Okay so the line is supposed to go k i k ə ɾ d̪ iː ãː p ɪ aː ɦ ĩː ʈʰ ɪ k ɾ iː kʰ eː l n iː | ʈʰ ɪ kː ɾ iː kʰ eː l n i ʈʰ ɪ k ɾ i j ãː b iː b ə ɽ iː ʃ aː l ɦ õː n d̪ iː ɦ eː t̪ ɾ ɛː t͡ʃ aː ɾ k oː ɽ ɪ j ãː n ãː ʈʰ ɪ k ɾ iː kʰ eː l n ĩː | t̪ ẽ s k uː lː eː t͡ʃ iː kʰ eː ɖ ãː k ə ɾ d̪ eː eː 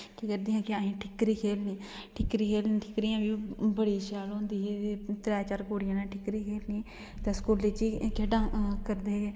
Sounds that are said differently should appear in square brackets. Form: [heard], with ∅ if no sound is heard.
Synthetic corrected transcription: k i k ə ɾ d̪ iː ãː [k] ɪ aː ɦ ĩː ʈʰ ɪ k ɾ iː kʰ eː l n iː | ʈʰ ɪ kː ɾ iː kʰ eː l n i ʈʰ ɪ k ɾ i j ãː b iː b ə ɽ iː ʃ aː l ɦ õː n d̪ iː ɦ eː t̪ ɾ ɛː t͡ʃ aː ɾ k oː ɽ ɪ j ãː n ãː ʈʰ ɪ k ɾ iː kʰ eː l n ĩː | t̪ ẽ s k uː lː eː t͡ʃ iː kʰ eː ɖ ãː k ə ɾ d̪ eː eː